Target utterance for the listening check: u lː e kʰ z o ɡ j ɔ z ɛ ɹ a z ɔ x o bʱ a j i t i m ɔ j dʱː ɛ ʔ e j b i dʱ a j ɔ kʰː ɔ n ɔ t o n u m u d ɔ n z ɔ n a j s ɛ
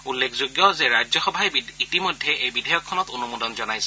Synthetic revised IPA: u lː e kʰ z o ɡ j ɔ z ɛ ɹ a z ɔ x ɔ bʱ a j i t i m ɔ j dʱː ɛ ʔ e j b i dʱ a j ɔ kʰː ɔ n ɔ t o n u m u d ɔ n z ɔ n a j s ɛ